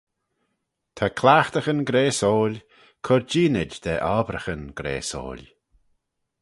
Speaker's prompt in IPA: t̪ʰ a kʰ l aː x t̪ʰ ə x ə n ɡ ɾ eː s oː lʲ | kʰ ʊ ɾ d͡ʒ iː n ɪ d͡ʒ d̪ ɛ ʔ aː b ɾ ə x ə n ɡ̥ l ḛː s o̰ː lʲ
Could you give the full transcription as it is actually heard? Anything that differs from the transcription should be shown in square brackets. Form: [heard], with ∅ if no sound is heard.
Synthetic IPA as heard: t̪ʰ a kʰ l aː x [t̪] ə x ə n ɡ ɾ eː s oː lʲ | kʰ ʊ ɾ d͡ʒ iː n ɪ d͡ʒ d̪ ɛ ʔ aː b ɾ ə x ə n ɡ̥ [ɾ] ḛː s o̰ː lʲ